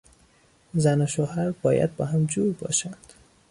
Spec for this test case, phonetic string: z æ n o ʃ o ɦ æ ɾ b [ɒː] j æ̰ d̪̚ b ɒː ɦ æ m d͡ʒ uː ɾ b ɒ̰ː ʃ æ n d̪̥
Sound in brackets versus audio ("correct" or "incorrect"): correct